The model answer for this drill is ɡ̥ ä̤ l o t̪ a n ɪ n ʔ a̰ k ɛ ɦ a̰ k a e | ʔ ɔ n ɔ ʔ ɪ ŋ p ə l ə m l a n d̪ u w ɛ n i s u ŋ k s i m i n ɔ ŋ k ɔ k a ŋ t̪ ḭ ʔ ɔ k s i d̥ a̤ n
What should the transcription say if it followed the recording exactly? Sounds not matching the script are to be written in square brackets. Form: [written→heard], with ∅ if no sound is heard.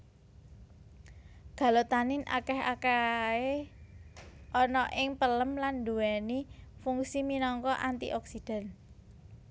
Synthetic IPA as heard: ɡ̥ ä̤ l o t̪ a n ɪ n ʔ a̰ k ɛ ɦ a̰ k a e | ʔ ɔ n ɔ ʔ ɪ ŋ p ə l ə m l a n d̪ u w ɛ n i [s→f] u ŋ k s i m i n ɔ ŋ k ɔ [k→ʔ] a [ŋ→n] t̪ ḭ ʔ ɔ k s i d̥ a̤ n